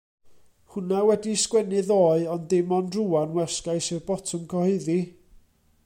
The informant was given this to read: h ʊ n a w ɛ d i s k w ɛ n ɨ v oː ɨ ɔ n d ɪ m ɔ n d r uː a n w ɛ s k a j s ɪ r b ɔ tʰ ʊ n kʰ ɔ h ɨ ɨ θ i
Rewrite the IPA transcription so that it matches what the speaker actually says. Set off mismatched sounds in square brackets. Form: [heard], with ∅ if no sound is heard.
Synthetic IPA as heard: h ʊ n a w ɛ d i s k w ɛ n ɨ [ð] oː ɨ ɔ n d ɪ m ɔ n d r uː a n w ɛ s k a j s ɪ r b ɔ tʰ ʊ [m] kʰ ɔ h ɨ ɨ [ð] i